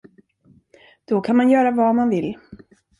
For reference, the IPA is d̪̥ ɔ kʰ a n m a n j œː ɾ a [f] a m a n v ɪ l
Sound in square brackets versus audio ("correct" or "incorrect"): incorrect